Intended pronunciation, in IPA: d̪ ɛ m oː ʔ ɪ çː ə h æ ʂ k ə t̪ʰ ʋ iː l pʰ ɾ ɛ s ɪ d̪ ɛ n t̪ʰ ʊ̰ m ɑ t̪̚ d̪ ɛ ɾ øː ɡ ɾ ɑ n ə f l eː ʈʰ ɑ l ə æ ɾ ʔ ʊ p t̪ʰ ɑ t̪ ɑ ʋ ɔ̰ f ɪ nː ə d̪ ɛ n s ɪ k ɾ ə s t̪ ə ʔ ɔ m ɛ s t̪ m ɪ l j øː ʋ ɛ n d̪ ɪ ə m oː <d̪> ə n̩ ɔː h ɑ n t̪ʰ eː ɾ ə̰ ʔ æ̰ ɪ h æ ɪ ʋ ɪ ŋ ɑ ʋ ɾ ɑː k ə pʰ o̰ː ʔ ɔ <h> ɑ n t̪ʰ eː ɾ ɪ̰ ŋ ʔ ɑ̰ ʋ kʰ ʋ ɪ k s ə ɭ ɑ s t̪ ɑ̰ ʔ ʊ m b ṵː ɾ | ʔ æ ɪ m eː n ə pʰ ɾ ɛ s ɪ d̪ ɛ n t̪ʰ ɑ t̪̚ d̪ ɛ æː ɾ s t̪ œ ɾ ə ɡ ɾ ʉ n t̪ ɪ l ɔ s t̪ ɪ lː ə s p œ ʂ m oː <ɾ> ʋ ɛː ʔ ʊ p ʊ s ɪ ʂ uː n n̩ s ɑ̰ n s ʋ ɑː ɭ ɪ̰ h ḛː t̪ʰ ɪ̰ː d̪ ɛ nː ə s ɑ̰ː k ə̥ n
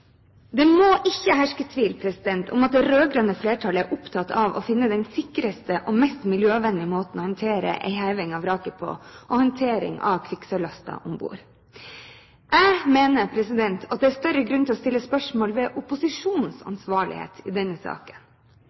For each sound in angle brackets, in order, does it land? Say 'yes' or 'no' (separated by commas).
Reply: no, yes, no